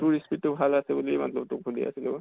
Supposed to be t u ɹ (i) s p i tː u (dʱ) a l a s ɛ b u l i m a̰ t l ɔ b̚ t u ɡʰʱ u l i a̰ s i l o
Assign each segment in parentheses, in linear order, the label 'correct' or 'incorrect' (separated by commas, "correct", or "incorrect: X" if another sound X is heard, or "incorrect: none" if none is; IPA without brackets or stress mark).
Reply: correct, incorrect: bʱ